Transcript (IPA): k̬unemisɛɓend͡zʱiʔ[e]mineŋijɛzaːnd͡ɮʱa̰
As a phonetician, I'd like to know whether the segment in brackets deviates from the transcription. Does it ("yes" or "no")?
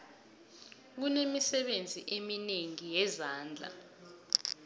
no